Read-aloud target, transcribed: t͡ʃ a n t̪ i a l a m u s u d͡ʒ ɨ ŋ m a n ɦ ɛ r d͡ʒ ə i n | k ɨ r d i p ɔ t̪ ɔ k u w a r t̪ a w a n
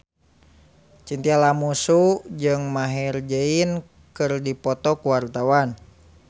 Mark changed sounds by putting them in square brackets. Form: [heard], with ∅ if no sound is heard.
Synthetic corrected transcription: t͡ʃ [i] n t̪ i a l a m u s u d͡ʒ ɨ ŋ m a [∅] ɦ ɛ r d͡ʒ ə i n | k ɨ r d i p ɔ t̪ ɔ k u w a r t̪ a w a n